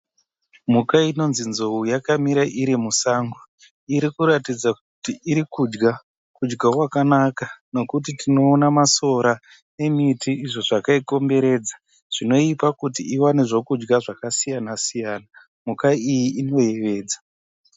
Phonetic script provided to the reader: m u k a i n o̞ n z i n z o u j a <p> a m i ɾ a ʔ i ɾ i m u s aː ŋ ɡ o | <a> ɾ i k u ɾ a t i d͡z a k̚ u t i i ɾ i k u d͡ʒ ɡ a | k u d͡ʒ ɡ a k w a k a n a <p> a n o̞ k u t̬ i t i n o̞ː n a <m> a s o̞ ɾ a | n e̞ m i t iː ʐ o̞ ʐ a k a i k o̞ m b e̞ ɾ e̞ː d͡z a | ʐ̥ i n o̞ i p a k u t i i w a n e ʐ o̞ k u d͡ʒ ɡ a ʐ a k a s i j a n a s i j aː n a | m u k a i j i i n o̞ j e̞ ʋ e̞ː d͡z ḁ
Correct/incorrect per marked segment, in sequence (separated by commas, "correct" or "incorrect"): incorrect, incorrect, incorrect, correct